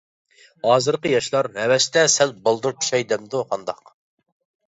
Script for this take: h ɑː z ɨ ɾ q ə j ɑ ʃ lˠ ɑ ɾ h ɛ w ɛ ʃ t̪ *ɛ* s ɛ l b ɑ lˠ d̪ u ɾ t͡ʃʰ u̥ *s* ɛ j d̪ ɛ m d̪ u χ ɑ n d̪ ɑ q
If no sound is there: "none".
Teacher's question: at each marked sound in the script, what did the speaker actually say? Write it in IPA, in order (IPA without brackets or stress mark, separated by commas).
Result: ɛ, ʃ